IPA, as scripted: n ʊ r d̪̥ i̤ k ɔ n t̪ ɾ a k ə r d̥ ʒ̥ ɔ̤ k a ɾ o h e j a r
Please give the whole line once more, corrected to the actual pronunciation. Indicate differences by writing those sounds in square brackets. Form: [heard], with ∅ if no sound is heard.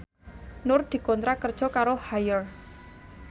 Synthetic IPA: n ʊ r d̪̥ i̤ k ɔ n t̪ ɾ a k ə r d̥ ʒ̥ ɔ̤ k a ɾ o h [a] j [ə] r